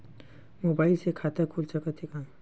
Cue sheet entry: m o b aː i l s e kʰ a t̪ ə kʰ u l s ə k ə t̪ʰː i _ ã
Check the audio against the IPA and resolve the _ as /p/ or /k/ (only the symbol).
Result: k